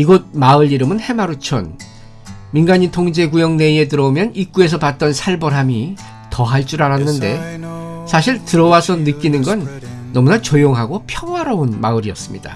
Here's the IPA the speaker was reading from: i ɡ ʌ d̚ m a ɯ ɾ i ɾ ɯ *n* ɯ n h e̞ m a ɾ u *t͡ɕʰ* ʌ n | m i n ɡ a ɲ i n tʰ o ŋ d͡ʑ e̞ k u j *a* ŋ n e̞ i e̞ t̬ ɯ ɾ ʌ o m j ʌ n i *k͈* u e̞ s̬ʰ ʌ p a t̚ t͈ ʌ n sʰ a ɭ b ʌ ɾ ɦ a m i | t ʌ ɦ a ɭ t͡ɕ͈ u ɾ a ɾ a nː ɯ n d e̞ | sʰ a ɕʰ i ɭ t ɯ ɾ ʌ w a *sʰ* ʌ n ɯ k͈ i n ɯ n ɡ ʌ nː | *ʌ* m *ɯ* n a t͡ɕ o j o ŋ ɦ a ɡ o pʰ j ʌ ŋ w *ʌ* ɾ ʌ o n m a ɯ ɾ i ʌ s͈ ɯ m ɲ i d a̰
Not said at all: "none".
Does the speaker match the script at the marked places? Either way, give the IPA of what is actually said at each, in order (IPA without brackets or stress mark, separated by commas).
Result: m, t͡ɕʰ, ʌ, k͈, sʰ, ʌ, u, a